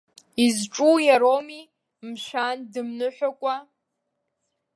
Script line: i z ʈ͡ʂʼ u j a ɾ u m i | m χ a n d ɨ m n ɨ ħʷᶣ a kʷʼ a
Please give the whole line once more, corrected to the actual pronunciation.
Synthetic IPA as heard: i z ʈ͡ʂʼ u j a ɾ o m i | m ʃ a n d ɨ m n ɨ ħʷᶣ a kʷʼ a